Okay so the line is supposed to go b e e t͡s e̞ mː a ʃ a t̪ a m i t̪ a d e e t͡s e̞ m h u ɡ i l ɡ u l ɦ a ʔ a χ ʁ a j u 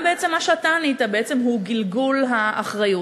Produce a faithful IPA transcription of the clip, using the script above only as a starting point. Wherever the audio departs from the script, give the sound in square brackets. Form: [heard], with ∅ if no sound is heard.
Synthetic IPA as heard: b e e t͡s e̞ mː a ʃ a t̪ a [n] i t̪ a [b] e e t͡s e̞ m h u ɡ i l ɡ u l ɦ a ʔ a χ ʁ a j u